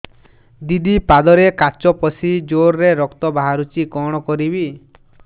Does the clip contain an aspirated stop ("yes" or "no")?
no